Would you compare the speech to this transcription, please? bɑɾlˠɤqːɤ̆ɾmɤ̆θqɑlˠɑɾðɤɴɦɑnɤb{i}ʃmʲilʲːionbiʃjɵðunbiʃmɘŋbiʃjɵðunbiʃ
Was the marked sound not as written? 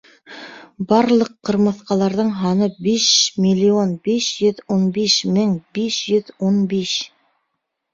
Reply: no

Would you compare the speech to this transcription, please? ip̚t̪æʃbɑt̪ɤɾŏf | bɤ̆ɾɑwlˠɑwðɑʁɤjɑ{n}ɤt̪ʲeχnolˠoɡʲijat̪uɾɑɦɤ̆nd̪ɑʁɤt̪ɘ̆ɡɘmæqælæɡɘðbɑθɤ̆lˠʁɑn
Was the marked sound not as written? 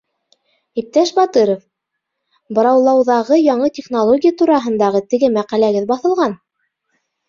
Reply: yes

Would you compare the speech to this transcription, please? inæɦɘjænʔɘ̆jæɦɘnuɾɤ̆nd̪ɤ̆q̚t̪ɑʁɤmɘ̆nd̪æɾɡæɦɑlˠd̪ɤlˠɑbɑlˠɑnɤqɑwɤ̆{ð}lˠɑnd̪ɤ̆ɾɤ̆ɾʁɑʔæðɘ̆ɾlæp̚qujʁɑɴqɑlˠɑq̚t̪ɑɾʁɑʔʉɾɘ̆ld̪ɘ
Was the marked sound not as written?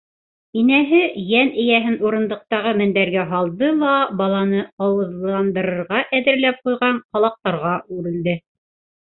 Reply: no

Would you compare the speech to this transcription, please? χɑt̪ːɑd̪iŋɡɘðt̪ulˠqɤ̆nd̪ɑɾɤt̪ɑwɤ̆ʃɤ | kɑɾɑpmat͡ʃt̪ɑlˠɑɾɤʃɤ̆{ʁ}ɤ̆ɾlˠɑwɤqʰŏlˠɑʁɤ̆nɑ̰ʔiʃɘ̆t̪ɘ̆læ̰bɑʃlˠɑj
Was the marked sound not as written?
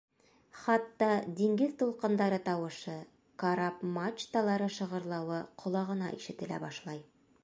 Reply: no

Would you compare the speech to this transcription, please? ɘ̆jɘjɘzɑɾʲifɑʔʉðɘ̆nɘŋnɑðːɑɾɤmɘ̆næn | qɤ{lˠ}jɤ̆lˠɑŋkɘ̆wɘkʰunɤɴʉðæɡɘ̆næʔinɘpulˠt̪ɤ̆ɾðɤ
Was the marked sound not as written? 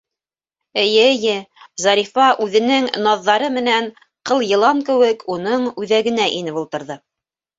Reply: no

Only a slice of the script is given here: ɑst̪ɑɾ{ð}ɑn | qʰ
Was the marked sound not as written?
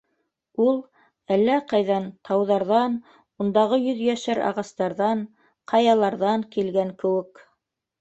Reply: no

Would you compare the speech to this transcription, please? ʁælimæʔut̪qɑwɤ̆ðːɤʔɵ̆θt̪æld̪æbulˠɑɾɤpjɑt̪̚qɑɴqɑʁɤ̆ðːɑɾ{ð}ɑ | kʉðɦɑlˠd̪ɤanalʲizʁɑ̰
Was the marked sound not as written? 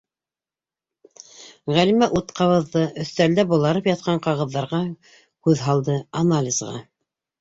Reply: yes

